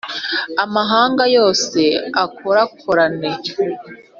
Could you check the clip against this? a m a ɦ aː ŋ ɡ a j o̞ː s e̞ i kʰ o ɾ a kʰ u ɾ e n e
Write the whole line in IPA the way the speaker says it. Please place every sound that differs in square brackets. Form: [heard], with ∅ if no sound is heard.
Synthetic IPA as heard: a m a ɦ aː ŋ ɡ a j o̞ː s e̞ [a] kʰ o ɾ a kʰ [o] ɾ [a] n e